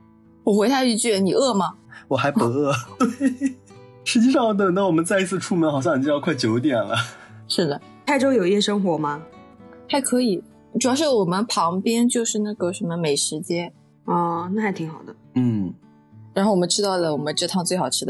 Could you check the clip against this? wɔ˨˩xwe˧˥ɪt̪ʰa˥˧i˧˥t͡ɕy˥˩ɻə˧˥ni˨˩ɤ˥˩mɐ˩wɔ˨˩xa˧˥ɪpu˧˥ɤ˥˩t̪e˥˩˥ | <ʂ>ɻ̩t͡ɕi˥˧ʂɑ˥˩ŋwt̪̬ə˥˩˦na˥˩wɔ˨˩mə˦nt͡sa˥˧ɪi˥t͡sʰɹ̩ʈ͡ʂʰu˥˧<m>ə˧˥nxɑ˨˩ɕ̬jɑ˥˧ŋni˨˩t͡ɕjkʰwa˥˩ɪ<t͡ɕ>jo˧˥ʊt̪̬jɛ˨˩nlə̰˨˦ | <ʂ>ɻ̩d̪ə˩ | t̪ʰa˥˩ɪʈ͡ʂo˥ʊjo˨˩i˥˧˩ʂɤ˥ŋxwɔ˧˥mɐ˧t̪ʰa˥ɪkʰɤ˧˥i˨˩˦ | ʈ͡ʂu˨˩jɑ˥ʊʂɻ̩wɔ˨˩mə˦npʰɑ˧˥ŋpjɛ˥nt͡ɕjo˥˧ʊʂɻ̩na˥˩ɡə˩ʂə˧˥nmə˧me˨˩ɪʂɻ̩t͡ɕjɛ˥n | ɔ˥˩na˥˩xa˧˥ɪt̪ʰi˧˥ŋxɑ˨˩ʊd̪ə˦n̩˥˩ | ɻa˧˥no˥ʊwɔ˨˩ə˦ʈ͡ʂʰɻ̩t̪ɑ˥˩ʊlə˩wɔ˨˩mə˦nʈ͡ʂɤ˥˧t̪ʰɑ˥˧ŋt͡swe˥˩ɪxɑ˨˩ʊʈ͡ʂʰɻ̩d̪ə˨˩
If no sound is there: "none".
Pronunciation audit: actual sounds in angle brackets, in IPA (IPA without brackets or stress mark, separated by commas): ʂ, m, t͡ɕ, ʂ